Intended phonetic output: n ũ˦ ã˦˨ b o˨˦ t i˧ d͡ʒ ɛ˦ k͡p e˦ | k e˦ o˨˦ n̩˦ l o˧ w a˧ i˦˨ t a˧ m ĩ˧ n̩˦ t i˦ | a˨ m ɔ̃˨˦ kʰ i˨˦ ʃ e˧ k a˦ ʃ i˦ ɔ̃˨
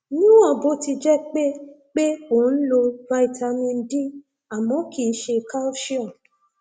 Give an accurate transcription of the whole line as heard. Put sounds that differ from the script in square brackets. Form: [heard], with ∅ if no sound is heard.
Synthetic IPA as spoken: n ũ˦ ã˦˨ b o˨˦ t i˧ d͡ʒ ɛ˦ k͡p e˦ | [k͡p] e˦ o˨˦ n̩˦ l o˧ [v] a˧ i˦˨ t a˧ m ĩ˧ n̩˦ [d] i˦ | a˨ m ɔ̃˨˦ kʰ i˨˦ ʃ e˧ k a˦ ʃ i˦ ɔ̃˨